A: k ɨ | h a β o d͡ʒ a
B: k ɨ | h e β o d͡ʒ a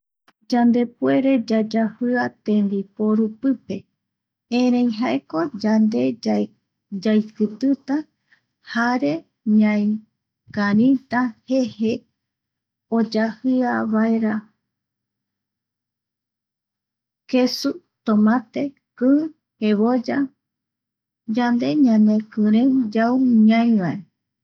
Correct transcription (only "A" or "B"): B